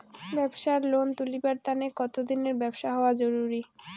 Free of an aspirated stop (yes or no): yes